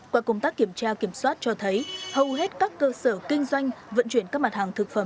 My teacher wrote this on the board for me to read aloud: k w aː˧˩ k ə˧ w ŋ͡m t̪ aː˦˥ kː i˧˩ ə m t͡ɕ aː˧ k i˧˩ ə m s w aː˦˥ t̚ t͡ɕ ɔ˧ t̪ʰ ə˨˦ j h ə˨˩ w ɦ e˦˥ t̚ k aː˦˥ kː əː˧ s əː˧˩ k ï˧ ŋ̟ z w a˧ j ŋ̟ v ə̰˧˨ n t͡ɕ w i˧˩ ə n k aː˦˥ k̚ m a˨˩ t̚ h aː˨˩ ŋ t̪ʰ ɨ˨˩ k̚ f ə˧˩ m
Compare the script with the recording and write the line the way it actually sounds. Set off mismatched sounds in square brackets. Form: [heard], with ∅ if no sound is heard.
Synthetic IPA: k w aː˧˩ k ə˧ w ŋ͡m t̪ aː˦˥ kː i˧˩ ə m t͡ɕ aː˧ k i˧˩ ə m s w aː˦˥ t̚ t͡ɕ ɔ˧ t̪ʰ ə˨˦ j h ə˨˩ w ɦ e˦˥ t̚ k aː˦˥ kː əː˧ s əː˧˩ k ï˧ ŋ̟ z w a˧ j ŋ̟ v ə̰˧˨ n t͡ɕ w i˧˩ ə n k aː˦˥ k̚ m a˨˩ t̚ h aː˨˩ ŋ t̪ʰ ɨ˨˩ k̚ f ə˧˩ m